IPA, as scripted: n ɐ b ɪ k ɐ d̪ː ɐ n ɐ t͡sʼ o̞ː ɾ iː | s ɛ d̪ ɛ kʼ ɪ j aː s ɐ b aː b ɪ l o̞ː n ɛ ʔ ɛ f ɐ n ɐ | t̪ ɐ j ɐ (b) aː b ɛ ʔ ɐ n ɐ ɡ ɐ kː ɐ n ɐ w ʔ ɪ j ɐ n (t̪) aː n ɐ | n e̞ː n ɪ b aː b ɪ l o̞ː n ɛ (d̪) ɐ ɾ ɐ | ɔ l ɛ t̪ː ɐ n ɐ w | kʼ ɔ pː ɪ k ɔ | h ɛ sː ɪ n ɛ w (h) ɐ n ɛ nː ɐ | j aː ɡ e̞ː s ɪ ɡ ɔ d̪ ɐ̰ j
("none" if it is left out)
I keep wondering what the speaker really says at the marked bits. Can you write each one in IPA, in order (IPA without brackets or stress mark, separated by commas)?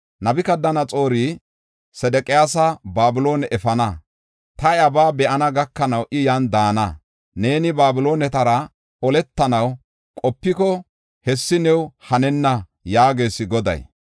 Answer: b, d̪, t̪, h